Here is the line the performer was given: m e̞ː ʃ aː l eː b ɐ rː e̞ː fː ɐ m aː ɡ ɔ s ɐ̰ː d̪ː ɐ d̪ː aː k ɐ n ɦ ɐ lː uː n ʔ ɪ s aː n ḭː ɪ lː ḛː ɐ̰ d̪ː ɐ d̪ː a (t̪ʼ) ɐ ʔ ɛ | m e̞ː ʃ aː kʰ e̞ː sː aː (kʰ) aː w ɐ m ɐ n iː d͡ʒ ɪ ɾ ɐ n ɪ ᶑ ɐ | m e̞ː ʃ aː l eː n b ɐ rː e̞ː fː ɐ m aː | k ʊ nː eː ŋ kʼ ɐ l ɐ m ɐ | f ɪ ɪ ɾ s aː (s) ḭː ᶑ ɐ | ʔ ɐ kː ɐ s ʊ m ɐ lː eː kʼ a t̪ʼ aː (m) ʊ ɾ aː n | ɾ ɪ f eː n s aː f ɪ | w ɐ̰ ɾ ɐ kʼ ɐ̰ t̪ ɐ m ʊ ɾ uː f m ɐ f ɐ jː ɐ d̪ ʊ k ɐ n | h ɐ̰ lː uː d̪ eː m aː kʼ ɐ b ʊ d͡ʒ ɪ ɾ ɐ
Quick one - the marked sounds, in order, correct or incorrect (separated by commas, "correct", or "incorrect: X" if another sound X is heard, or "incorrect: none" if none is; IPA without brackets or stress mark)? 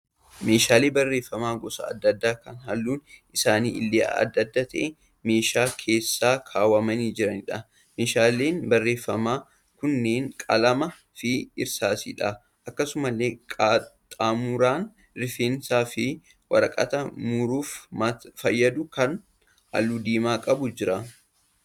incorrect: t̪, correct, correct, correct